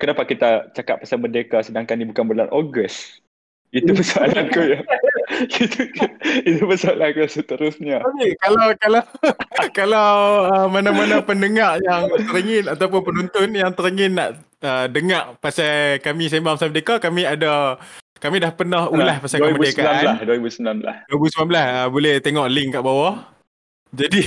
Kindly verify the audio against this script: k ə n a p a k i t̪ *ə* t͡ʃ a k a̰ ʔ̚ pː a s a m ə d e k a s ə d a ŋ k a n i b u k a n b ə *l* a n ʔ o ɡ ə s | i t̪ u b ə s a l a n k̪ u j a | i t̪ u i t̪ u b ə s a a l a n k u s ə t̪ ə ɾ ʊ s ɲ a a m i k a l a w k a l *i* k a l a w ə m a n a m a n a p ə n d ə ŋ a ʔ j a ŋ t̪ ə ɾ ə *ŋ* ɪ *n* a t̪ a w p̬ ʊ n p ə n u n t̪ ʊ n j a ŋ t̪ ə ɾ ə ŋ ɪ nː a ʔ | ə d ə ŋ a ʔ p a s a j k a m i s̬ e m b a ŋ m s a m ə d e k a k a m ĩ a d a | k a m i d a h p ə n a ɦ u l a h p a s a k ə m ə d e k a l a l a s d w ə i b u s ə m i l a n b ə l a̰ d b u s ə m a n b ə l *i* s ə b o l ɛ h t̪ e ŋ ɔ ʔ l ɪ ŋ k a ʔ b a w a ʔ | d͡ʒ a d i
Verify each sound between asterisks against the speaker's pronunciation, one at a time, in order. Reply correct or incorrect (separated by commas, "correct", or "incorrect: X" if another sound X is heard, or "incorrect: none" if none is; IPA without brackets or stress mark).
incorrect: a, correct, incorrect: a, correct, correct, incorrect: a